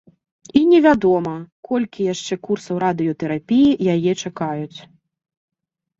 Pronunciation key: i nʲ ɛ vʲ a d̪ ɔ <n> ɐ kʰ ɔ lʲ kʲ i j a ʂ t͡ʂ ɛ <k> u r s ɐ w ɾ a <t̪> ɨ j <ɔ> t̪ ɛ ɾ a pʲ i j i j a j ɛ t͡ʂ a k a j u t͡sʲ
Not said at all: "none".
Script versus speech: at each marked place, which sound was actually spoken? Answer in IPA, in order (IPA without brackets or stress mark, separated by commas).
m, k, d̪, ɔ